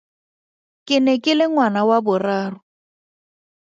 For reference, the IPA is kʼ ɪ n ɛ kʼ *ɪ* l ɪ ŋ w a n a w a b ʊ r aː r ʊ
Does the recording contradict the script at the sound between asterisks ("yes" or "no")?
no